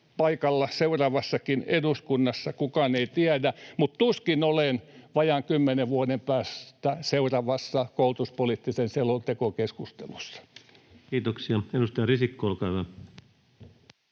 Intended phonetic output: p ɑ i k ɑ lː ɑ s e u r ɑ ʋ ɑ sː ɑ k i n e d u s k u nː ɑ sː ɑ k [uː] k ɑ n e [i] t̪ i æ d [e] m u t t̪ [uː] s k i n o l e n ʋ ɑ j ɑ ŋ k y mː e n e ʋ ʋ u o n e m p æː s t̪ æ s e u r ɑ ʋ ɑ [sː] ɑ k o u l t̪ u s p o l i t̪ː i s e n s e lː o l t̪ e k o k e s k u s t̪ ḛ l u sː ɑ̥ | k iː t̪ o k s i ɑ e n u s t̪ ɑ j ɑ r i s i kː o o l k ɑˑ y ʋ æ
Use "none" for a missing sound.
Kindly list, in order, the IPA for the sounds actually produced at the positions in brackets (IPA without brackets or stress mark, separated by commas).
u, i, æ, u, sː